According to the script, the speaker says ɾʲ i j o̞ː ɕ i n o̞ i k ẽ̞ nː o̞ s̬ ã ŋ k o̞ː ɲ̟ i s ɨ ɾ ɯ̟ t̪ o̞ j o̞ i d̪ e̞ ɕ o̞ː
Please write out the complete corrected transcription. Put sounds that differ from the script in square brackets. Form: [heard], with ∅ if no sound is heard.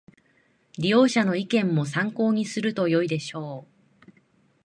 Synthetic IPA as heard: ɾʲ i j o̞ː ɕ [a] n o̞ i k ẽ̞ [mː] o̞ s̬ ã ŋ k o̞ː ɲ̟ i s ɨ ɾ ɯ̟ t̪ o̞ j o̞ i d̪ e̞ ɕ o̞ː